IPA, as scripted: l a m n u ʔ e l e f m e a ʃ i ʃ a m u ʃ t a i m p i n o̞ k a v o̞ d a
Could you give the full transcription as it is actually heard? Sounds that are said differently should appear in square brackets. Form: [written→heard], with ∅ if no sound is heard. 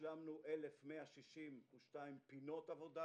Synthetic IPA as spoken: l a m n u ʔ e l e f m e a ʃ i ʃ [a→i] m u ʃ t a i m p i n o̞ [k→t] a v o̞ d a